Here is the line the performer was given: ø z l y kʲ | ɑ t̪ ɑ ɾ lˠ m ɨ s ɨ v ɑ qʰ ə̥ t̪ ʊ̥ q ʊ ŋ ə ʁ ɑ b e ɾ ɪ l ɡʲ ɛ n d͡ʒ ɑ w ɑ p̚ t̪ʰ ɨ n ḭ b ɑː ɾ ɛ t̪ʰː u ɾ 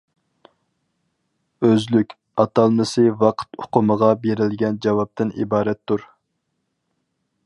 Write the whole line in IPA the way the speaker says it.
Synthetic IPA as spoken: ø z l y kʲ | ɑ t̪ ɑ lˠ m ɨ s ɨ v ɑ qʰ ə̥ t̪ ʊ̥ q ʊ m ə ʁ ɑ b e ɾ ɪ l ɡʲ ɛ n d͡ʒ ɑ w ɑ p̚ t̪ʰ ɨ n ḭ b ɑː ɾ ɛ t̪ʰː u ɾ